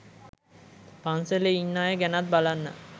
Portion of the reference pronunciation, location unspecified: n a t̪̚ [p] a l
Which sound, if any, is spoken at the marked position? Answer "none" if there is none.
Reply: b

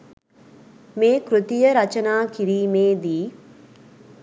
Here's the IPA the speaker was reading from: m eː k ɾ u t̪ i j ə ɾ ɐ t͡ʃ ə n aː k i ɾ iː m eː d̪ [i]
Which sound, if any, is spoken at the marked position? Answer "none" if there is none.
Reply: iː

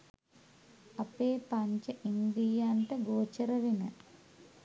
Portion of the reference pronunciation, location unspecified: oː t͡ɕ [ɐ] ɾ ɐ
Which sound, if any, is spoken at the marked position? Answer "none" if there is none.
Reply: ɐ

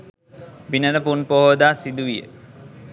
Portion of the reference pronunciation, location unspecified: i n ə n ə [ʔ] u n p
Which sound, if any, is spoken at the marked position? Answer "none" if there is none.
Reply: p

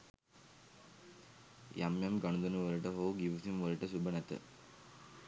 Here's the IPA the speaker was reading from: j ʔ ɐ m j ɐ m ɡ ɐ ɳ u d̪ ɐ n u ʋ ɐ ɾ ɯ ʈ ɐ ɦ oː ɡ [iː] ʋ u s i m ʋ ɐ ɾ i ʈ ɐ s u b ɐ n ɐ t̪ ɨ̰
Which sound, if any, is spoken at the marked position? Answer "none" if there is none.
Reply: i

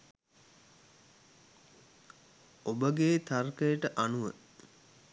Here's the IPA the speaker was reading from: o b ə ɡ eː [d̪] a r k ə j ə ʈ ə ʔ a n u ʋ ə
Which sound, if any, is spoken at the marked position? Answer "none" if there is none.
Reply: t̪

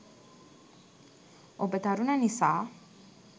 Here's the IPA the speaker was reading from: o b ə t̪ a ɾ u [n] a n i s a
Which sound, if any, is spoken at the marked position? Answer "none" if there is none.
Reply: n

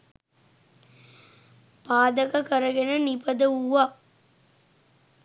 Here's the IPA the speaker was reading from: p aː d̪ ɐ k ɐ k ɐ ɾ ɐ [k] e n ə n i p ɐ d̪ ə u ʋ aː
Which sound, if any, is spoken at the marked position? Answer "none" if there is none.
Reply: ɡ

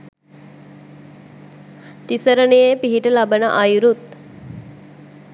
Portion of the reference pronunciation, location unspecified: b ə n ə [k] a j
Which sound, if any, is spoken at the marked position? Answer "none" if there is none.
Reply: ʔ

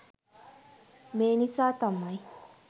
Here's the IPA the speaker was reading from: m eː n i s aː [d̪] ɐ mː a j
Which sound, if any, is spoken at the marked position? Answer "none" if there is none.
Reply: t̪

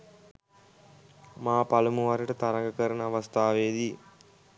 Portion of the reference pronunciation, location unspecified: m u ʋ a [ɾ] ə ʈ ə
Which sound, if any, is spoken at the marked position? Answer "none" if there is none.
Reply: ɾ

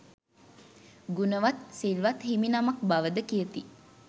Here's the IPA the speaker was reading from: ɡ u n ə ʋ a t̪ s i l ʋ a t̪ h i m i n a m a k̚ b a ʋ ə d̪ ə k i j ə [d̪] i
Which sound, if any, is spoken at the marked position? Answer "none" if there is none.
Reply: t̪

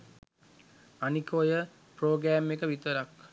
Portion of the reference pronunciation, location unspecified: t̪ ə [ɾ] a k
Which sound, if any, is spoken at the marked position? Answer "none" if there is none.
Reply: ɾ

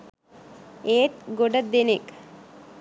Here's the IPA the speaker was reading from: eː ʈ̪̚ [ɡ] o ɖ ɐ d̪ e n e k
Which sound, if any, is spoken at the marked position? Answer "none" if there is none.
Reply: ɡ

